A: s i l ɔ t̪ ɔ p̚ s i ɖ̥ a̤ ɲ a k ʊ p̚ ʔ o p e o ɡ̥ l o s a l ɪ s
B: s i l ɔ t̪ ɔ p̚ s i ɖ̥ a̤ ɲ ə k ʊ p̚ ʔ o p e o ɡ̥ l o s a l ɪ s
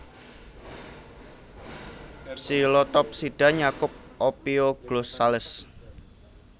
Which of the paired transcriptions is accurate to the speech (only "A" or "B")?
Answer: A